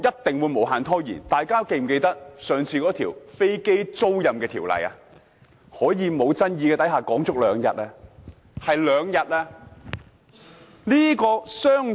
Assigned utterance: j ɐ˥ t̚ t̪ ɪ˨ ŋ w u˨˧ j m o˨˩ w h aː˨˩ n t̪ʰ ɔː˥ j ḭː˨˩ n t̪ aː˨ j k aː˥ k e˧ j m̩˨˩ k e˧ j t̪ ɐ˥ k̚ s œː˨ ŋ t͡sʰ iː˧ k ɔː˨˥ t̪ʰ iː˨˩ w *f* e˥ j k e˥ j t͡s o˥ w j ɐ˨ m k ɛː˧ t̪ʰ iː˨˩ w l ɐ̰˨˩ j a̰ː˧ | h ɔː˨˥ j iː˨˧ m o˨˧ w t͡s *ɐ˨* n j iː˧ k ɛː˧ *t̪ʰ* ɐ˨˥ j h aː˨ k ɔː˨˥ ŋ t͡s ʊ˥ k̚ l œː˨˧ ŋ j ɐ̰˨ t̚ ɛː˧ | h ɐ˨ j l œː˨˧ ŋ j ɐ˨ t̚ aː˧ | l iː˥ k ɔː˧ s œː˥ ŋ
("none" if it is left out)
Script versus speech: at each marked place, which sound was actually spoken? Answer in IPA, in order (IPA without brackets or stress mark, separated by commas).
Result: f, ɐ˥, t̪